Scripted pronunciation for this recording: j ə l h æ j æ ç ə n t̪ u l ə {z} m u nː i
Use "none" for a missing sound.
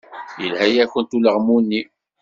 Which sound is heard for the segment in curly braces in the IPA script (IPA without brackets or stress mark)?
ʁ